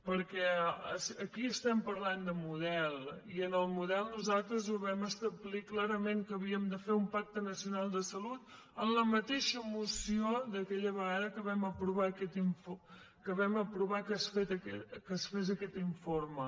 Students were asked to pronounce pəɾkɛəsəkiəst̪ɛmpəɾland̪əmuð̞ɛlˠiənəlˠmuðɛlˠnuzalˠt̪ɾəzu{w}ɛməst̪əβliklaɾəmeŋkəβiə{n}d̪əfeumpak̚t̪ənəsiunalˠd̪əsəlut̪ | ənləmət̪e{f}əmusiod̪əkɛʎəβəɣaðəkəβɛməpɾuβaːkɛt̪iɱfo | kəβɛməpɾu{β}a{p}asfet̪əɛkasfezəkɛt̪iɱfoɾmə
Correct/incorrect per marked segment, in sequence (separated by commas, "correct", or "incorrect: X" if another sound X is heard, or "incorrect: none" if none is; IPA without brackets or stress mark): incorrect: β, incorrect: m, incorrect: ʃ, correct, incorrect: k